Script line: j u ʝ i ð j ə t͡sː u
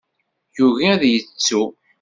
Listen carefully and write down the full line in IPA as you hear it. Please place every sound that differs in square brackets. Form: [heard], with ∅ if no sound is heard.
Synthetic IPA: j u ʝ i ð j ə t͡sː u